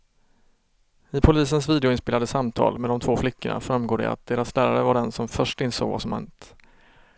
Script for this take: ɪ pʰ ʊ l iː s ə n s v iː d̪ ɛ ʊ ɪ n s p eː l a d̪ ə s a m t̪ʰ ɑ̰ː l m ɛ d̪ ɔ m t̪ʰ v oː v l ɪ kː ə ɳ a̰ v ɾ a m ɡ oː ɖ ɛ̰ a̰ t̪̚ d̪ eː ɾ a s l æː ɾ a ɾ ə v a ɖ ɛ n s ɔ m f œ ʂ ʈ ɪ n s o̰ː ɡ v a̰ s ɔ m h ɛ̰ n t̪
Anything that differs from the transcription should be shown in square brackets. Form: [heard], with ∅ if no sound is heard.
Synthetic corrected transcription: ɪ pʰ ʊ l iː s ə n s v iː d̪ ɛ ʊ ɪ n s p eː l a d̪ ə s a m t̪ʰ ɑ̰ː l m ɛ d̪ ɔ m t̪ʰ v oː [f] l ɪ kː ə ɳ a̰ [f] ɾ a m ɡ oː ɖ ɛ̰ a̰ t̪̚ d̪ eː ɾ a s l æː ɾ a ɾ ə v a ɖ ɛ n s ɔ m f œ ʂ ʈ ɪ n s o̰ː ɡ v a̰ s ɔ m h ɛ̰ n t̪